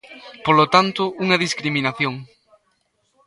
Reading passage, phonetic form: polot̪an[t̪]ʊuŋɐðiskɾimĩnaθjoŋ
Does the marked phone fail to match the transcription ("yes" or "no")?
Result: no